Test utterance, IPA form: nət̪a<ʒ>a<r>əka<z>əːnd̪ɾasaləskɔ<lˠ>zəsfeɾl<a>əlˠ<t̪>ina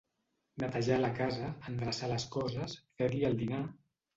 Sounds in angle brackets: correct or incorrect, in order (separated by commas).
correct, incorrect, correct, incorrect, incorrect, incorrect